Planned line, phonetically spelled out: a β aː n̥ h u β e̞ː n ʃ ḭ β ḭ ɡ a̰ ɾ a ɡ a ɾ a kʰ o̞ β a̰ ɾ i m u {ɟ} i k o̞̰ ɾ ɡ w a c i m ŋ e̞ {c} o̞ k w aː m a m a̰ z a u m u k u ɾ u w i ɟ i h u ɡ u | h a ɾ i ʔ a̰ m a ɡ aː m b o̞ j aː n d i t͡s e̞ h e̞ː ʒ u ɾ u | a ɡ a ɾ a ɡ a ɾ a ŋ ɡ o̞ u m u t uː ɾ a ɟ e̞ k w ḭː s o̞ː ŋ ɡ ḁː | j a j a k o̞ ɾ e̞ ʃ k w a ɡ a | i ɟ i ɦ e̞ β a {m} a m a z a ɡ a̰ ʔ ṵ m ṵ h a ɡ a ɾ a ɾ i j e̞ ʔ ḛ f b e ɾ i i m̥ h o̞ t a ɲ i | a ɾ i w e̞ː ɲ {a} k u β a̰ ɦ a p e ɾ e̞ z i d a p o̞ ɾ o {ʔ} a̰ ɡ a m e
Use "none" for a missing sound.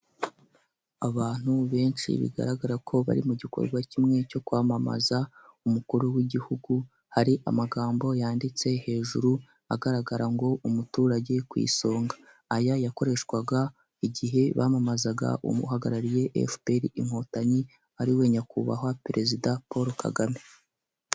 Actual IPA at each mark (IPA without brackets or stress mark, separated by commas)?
ɟ, c, m, a, k